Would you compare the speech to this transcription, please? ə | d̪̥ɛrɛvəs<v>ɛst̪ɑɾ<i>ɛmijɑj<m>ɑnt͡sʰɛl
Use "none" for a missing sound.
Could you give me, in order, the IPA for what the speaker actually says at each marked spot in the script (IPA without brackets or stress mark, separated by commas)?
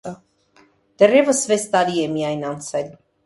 v, i, n